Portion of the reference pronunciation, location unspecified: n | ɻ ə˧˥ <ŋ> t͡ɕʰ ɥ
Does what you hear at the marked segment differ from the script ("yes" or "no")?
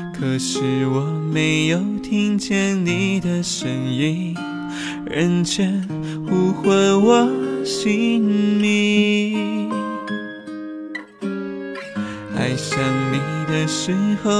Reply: yes